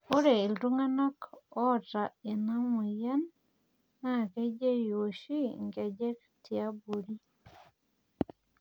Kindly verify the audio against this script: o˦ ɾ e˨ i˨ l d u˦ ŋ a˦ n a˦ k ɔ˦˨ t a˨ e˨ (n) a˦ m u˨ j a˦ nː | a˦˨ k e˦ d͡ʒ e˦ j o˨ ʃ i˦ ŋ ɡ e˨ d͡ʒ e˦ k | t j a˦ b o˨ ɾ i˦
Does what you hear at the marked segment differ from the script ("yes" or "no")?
no